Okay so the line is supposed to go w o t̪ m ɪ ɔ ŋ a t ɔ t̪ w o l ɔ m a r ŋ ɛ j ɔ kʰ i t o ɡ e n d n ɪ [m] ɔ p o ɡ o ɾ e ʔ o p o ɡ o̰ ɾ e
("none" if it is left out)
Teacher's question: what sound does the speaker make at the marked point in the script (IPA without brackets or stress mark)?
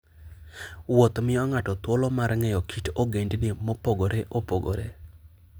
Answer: m